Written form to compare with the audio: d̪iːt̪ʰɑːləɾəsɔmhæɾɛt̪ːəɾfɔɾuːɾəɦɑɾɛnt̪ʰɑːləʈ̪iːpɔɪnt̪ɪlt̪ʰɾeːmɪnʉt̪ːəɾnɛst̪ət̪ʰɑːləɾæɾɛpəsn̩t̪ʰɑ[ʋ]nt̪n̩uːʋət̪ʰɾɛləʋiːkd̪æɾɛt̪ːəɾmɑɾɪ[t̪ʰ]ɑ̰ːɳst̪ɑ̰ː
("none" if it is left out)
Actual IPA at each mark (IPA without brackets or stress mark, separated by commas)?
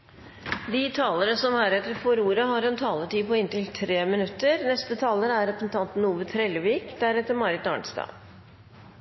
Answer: none, t̪